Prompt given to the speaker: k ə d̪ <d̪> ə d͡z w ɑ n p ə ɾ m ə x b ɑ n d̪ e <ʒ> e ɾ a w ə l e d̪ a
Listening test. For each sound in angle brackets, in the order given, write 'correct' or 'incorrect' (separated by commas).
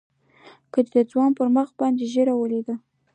correct, correct